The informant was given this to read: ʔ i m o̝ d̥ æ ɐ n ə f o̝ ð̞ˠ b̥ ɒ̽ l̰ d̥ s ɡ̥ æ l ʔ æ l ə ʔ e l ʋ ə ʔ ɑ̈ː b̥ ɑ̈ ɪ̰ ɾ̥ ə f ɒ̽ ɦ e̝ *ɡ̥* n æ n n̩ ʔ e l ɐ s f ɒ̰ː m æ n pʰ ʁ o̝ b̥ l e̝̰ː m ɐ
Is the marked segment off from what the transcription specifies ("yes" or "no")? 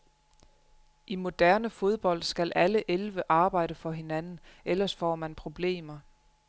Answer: yes